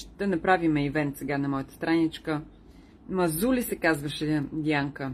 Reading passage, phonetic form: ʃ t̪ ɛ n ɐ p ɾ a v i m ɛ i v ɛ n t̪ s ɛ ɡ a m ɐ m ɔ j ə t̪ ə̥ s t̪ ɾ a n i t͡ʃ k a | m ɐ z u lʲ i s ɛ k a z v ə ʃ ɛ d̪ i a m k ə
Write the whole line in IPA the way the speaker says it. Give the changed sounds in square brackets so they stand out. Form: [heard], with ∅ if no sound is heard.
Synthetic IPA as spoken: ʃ t̪ ɛ n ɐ p ɾ a v i m ɛ i v ɛ n t̪ s ɛ ɡ a [n] ɐ m ɔ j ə t̪ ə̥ s t̪ ɾ a n i t͡ʃ k [ə] | m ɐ z u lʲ i s ɛ k a z v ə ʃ ɛ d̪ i a [ŋ] k ə